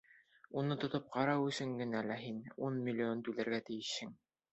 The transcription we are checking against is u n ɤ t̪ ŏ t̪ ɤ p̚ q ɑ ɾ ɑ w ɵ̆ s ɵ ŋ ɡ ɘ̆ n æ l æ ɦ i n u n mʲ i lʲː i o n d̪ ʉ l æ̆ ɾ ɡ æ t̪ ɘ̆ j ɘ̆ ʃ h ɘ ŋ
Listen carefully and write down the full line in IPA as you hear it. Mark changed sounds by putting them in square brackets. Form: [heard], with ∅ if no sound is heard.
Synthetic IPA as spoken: u n ɤ t̪ ŏ t̪ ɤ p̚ q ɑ ɾ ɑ w ɵ̆ s ɵ ŋ ɡ ɘ̆ n æ l æ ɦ i n u n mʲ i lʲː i o n [t̪] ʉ l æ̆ ɾ ɡ æ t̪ ɘ̆ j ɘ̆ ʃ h ɘ ŋ